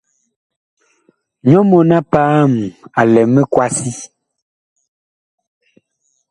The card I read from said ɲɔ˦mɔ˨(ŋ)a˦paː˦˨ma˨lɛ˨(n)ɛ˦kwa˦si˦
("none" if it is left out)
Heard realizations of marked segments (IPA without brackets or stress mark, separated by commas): n, m